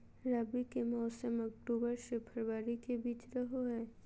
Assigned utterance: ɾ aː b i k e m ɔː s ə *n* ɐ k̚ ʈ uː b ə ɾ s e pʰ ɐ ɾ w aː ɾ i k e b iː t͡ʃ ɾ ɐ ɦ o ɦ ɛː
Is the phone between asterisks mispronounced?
yes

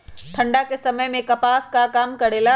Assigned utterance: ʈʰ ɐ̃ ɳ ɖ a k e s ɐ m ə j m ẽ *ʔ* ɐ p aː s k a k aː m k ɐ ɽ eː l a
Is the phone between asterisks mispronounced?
yes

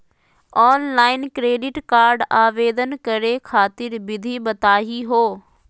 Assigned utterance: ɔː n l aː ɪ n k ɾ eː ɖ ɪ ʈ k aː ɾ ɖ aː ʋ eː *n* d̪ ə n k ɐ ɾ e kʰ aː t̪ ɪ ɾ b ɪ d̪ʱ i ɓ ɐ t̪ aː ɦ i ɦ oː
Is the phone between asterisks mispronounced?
yes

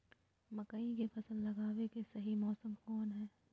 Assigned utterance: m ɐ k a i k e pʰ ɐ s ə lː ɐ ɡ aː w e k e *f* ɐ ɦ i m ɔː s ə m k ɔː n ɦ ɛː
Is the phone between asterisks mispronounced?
yes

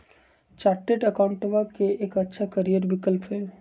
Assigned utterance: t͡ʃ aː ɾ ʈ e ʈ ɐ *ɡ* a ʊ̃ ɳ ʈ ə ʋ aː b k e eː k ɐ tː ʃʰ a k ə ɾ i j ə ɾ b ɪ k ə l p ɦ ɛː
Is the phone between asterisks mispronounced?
yes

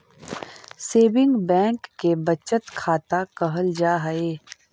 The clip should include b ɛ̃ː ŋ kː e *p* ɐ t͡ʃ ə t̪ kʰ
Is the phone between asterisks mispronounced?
yes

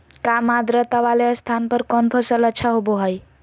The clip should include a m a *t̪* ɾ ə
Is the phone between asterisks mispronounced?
yes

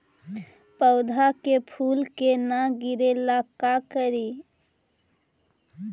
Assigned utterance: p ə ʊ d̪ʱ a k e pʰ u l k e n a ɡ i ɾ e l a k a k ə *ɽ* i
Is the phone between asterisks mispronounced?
yes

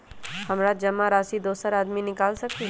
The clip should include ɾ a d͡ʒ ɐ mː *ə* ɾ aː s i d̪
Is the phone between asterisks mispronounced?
yes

